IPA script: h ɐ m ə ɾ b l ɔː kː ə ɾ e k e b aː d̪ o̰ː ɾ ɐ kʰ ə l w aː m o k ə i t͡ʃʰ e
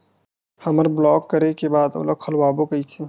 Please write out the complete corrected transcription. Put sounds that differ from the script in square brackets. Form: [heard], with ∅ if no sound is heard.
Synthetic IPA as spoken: h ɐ m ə ɾ b l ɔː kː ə ɾ e k e b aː d̪ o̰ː [l] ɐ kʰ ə l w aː [b] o k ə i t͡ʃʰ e